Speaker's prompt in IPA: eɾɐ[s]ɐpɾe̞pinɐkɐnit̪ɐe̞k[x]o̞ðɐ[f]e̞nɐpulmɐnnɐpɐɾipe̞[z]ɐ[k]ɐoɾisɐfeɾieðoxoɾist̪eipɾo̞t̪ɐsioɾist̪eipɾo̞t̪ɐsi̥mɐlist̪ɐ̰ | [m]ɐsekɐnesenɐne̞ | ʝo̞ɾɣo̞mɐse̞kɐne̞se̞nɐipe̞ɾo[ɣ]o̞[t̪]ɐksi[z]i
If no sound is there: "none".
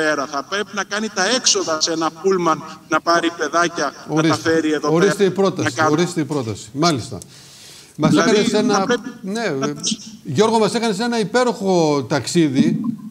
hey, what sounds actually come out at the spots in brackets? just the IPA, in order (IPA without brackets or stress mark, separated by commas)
θ, s, s, ð, c, m, x, t̪, ð